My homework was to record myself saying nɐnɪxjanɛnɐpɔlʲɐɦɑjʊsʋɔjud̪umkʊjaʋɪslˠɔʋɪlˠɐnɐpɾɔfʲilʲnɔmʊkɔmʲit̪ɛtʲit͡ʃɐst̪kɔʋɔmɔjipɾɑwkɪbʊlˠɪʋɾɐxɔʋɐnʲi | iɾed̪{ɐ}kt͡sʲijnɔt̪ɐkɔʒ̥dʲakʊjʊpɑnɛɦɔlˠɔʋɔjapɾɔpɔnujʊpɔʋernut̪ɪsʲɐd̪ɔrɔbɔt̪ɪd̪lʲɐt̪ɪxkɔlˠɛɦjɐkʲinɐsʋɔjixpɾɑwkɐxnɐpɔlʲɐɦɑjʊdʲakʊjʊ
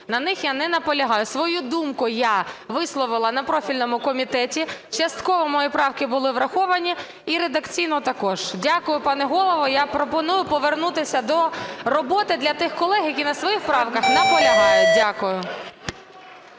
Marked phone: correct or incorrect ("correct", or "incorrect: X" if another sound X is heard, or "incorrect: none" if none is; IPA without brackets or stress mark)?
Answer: correct